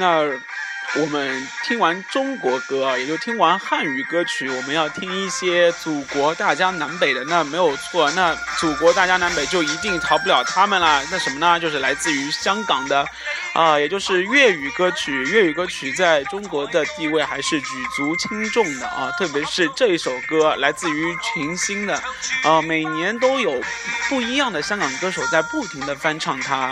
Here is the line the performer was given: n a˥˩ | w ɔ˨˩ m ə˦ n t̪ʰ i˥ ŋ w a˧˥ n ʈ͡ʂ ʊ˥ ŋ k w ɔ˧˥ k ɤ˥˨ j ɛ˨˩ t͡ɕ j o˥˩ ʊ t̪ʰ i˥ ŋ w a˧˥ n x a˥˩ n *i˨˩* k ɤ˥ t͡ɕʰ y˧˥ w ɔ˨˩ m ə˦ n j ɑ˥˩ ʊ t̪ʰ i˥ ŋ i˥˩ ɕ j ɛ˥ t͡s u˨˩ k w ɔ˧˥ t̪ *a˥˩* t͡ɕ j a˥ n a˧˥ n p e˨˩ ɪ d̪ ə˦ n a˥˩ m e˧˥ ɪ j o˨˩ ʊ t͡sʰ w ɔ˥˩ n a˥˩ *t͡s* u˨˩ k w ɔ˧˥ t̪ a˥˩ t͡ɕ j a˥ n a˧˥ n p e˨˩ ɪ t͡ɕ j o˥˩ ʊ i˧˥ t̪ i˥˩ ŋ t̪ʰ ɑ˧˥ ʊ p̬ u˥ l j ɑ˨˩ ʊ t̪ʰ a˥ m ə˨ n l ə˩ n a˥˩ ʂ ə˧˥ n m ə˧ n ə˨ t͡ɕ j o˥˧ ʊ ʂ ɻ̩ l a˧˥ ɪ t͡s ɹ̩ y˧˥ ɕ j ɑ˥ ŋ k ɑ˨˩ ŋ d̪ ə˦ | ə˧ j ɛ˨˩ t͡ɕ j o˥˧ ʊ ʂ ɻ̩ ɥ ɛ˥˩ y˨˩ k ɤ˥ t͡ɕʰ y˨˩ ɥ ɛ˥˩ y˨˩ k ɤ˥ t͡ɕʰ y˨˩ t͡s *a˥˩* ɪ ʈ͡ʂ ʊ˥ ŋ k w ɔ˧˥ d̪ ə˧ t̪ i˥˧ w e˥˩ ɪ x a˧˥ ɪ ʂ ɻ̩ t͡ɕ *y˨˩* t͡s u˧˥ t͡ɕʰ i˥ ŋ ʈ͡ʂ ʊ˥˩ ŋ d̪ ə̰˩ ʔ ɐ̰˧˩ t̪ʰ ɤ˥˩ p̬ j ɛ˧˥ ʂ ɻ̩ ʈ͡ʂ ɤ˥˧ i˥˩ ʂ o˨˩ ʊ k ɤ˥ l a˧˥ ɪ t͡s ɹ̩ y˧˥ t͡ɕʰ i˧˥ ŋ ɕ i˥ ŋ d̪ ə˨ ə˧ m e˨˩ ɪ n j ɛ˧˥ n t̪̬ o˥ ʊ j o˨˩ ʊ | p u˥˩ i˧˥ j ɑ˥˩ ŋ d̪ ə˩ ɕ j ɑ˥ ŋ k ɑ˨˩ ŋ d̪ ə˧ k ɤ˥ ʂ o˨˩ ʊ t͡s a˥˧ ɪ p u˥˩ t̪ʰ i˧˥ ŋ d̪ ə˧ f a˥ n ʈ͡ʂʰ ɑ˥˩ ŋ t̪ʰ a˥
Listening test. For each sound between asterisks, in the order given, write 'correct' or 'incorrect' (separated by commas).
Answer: incorrect, correct, correct, correct, correct